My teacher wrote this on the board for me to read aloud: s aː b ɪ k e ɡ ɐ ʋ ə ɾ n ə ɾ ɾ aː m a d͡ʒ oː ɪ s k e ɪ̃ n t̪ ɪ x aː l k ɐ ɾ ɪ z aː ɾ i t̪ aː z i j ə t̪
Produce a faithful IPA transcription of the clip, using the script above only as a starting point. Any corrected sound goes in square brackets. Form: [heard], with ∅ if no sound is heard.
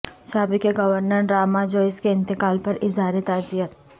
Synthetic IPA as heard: s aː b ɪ k e ɡ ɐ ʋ ə ɾ n ə ɾ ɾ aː m a d͡ʒ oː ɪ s k e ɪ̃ n t̪ ɪ [k] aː l [p] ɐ ɾ ɪ z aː ɾ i t̪ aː z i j ə t̪